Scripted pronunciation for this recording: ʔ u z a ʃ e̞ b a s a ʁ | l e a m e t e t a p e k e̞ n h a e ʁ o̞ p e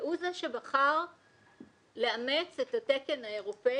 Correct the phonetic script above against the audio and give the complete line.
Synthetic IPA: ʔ u z a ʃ e̞ b a χ a ʁ | l e a m e t͡s e t a t e k e̞ n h a e ʁ o̞ p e

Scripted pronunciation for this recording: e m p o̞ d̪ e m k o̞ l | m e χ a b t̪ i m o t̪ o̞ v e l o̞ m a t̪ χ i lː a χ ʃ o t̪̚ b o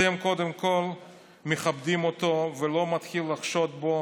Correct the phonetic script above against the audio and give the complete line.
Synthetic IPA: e m k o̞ d̪ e m k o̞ l | m e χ a b d̪ i m o t̪ o̞ v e l o̞ m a t̪ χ i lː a χ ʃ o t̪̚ b o

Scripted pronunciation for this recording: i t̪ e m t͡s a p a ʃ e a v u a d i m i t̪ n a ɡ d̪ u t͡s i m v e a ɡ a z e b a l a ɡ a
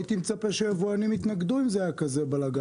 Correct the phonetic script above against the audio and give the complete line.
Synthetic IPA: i t̪ i m t͡s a p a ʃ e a v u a n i m i t̪ n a ɡ d̪ u i m z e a k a z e b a l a ɡ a

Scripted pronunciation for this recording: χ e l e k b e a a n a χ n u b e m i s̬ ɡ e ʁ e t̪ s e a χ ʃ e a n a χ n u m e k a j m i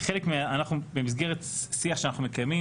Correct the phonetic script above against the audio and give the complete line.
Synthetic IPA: χ e l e k m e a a n a χ n u b e m i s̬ ɡ e ʁ e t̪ s i a χ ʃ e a n a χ n u m e k a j m i

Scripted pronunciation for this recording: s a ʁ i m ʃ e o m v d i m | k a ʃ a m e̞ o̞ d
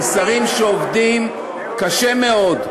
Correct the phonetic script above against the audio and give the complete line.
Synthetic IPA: s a ʁ i m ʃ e o v d i m | k a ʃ e m e̞ o̞ d

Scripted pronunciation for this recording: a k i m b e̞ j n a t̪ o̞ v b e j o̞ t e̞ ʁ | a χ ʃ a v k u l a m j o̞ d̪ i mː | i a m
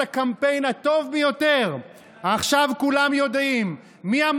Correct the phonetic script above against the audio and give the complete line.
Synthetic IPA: a k a m p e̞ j n a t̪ o̞ v b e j o̞ t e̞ ʁ | a χ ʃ a v k u l a m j o̞ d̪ i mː | i a m

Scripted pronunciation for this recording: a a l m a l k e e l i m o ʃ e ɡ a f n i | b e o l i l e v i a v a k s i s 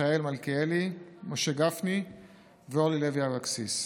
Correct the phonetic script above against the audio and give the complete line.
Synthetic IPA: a e l m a l k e e l i m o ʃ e ɡ a f n i | v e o l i l e v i a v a k s i s

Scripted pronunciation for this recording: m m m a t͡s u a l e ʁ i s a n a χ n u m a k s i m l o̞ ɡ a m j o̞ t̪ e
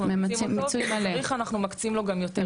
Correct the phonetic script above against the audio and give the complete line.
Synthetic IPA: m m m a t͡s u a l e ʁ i χ a n a χ n u m a k t͡s i m l o̞ ɡ a m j o̞ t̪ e

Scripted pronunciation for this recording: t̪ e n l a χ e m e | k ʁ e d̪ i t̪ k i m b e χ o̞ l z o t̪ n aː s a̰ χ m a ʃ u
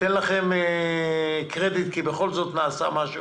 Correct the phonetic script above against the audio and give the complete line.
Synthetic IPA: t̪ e n l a χ e m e | k ʁ e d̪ i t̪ k i b e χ o̞ l z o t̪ n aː s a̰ m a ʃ u

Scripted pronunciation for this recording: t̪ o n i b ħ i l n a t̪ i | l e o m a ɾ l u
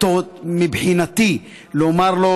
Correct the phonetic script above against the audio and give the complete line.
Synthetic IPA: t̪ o m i b ħ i n a t̪ i | l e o m a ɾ l o

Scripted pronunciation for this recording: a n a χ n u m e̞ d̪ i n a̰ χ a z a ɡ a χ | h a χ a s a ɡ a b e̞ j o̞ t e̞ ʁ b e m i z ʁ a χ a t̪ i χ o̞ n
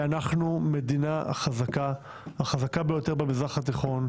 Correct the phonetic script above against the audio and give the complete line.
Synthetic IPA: a n a χ n u m e̞ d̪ i n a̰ χ a z a k a | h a χ a z a k a b e̞ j o̞ t e̞ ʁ b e m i z ʁ a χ a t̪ i χ o̞ n

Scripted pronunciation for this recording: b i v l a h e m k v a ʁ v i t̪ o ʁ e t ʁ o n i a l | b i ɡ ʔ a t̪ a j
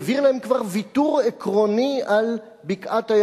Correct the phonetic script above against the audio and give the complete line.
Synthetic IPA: v i ʁ l a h e m k v a ʁ v i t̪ u ʁ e k ʁ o n i a l | b i k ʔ a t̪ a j

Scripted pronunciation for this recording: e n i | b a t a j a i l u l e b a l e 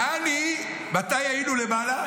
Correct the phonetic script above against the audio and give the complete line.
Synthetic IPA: a n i | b a t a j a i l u l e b a l a

